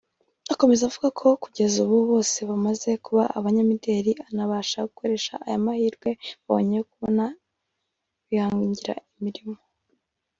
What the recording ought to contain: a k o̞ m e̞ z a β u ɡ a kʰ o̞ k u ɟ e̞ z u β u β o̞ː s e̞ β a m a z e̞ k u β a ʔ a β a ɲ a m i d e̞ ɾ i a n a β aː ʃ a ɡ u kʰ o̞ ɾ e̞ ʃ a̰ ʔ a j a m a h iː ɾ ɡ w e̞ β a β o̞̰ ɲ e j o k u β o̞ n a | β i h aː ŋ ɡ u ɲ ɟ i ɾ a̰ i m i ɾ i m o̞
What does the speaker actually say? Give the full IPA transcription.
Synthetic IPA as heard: a k o̞ m e̞ z a v u ɡ a kʰ o̞ k u ɟ e̞ z u β u β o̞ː s e̞ β a m a z e̞ k u β a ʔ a β a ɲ a m i d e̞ ɾ i a n a β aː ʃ a ɡ u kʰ o̞ ɾ e̞ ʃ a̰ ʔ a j a m a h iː ɾ ɡ w e̞ β a β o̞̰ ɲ e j o k u β o̞ n a | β i h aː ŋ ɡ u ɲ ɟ i ɾ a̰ i m i ɾ i m o̞